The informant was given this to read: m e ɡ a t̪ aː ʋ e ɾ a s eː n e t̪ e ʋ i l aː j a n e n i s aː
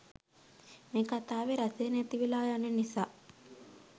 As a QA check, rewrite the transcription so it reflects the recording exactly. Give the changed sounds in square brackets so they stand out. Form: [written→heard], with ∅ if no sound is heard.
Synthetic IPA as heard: m e [ɡ→k] a t̪ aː ʋ e ɾ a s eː n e t̪ [e→i] ʋ i l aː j a n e n i s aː